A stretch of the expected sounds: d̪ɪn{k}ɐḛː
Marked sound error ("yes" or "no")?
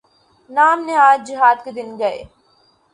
yes